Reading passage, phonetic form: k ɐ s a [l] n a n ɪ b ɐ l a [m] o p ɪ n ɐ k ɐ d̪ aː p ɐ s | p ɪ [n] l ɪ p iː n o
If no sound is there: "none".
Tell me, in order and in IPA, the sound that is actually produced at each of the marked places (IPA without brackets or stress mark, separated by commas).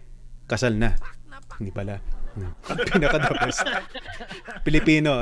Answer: l, n, none